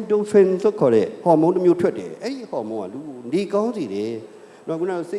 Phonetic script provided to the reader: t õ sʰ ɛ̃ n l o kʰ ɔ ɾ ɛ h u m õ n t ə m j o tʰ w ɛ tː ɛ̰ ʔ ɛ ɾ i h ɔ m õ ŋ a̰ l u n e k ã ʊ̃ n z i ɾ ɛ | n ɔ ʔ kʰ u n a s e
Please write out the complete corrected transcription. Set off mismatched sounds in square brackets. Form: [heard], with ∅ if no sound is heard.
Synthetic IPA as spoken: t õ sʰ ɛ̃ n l o kʰ ɔ ɾ ɛ h [ɔ] m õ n t ə m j o tʰ w ɛ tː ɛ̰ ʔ ɛ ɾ i h ɔ m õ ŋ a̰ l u n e k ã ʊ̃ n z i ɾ ɛ | n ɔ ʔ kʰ u n a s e

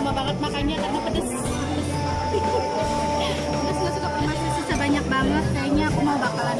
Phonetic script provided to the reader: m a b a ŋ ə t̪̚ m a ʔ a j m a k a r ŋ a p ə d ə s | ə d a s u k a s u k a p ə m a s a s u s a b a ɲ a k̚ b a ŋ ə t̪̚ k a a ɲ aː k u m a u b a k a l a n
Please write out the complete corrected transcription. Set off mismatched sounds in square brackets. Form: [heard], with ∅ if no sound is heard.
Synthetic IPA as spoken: m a b a ŋ ə t̪̚ m a [k] a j [ɲ] a k a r [n] a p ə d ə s | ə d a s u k a s u k a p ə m a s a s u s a b a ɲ a k̚ b a ŋ ə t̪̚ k a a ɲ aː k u m a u b a k a l a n

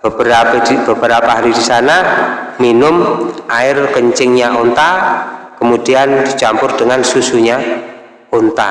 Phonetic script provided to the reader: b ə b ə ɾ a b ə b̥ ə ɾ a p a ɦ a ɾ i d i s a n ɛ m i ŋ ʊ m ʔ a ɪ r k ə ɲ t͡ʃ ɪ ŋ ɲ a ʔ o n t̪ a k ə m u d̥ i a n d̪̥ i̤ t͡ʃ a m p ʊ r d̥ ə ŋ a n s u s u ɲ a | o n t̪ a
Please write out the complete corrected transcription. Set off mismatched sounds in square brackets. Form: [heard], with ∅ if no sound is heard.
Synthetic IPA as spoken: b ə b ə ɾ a b ə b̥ ə ɾ a p a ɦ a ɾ i d i s a n [a] m i [n] ʊ m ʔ a ɪ r k ə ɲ t͡ʃ ɪ ŋ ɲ a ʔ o n t̪ a k ə m u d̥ i a n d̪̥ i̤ t͡ʃ a m p ʊ r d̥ ə ŋ a n s u s u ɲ a | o n t̪ a

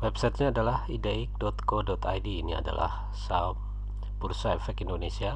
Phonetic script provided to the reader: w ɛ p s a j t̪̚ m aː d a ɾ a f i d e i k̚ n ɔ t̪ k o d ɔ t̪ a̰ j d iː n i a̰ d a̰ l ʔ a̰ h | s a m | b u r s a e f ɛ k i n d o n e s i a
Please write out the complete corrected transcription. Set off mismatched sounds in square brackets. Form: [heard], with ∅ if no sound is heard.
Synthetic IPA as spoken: w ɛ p s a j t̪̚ [ɲ] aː d a [l] a [h] i d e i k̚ [d] ɔ t̪ k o d ɔ t̪ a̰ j d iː n i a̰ d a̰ l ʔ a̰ h | s a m | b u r s a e f ɛ k i n d o n e s i a

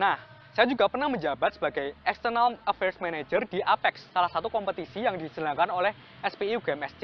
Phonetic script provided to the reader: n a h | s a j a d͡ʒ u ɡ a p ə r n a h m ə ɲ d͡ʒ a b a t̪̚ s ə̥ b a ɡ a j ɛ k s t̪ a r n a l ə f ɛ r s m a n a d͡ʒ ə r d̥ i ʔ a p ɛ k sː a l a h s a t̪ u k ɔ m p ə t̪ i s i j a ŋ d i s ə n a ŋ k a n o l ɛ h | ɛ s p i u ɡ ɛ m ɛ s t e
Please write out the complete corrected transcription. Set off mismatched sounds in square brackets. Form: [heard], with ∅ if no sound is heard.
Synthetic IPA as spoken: n a h | s a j a d͡ʒ u ɡ a p ə r n a h m ə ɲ d͡ʒ a b a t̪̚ s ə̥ b a ɡ a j ɛ k s t̪ [ə] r n a l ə f ɛ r s m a n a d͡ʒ ə r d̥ i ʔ a p ɛ k sː a l a h s a t̪ u k ɔ m p ə t̪ i s i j a ŋ d i s ə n a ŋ k a n o l ɛ h | ɛ s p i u ɡ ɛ m ɛ s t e

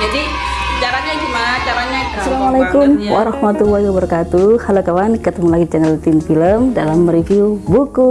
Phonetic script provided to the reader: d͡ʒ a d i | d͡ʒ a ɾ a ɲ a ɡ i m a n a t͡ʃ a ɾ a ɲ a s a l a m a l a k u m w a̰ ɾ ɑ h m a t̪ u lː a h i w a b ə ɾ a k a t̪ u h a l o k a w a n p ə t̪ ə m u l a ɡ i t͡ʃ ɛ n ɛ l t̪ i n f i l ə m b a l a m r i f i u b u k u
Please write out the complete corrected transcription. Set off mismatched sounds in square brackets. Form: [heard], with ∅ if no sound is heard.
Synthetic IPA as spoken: d͡ʒ a d i | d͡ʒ a ɾ a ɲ a ɡ i m a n a t͡ʃ a ɾ a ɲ a s a l a m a l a k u m w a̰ ɾ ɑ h m a t̪ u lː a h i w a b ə ɾ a k a t̪ u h a l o k a w a n [k] ə t̪ ə m u l a ɡ i t͡ʃ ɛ n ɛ l t̪ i n f i l ə m [d] a l a m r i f i u b u k u

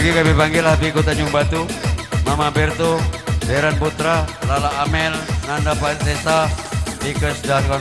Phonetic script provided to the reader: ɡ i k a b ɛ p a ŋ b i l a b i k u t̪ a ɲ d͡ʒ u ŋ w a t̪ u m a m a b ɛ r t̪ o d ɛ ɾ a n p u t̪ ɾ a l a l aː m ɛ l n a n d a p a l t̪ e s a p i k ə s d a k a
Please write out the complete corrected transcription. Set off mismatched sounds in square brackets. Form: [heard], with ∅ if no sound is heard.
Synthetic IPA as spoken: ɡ i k a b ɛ p a ŋ [ɡ] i l a b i k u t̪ a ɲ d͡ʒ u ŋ [b] a t̪ u m a m a b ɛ r t̪ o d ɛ ɾ a n p u t̪ ɾ a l a l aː m ɛ l n a n d a p a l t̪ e s a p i k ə s d a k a

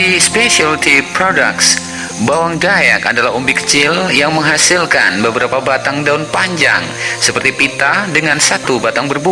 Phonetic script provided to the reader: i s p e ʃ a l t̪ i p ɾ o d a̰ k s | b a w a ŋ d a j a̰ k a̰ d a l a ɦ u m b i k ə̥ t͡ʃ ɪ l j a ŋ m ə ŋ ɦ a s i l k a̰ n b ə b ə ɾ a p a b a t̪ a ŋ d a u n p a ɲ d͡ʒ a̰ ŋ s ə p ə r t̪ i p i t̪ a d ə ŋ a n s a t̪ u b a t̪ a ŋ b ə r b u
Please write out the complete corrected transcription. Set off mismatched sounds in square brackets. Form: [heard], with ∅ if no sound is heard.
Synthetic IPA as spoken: i s p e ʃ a l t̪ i p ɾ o d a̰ k s | b a w a ŋ d a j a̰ k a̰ d a l a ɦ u m b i k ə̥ t͡ʃ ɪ l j a ŋ m ə ŋ ɦ a s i l k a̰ n b ə b ə ɾ a p a b a t̪ a ŋ d a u n p a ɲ d͡ʒ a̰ ŋ s ə p ə r t̪ i p i t̪ a d ə ŋ a n s a t̪ u b a t̪ a ŋ b ə r b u

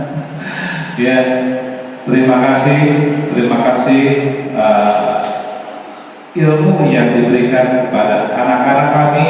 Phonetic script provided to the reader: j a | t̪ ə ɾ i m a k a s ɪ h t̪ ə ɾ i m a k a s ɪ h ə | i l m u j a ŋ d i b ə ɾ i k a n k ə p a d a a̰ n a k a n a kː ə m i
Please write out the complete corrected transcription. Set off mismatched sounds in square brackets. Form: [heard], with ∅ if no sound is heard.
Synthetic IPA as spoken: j a | t̪ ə ɾ i m a k a s ɪ h t̪ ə ɾ i m a k a s ɪ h ə | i l m u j a ŋ d i b ə ɾ i k a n k ə p a d a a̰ n a k a n a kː [a] m i

